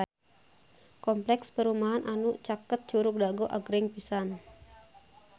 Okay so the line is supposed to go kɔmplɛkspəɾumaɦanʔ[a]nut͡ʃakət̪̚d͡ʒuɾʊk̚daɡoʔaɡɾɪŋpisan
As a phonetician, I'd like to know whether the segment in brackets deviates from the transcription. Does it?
no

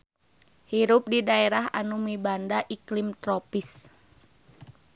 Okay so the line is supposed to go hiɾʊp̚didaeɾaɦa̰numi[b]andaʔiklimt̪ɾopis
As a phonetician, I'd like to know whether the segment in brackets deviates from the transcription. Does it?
no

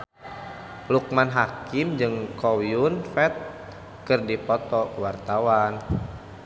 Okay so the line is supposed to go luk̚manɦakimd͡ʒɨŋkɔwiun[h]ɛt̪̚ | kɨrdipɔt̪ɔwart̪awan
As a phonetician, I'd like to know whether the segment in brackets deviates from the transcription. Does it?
yes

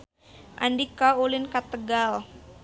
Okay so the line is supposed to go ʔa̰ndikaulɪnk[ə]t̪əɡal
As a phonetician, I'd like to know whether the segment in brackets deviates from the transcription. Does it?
yes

